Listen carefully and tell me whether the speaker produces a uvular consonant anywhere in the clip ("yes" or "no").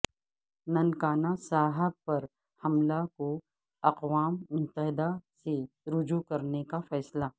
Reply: yes